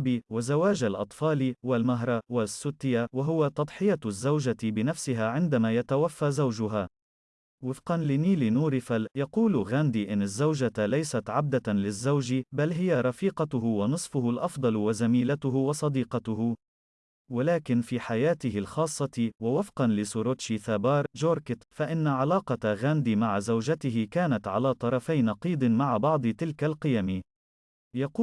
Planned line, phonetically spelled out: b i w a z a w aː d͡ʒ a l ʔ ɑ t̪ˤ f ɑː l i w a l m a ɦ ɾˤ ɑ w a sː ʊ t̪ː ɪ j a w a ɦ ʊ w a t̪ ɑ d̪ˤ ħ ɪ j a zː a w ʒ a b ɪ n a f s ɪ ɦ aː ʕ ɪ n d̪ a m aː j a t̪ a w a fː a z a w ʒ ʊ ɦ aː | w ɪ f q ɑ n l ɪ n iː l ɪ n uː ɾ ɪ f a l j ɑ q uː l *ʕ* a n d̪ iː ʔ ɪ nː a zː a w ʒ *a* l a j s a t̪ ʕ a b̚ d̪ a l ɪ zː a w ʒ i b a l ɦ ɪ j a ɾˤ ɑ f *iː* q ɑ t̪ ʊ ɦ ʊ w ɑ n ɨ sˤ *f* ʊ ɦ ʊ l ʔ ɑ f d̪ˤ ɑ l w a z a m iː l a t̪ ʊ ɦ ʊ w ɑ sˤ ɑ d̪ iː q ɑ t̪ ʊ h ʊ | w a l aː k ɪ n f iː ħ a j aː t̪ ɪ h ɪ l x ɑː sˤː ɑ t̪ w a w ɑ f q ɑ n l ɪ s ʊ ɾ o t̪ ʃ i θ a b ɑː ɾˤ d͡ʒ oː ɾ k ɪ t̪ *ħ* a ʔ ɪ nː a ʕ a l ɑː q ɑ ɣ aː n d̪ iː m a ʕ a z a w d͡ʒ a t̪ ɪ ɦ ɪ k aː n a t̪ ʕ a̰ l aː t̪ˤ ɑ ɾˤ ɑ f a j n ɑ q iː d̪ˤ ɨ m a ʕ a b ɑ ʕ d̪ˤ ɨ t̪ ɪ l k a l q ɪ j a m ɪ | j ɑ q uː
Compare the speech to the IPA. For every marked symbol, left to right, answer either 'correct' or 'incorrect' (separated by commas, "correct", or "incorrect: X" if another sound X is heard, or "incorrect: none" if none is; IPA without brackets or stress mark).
incorrect: ɣ, correct, correct, correct, incorrect: f